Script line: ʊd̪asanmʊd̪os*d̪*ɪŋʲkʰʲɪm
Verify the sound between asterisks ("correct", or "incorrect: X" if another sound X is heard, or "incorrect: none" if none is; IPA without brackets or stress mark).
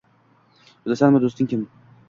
incorrect: t̪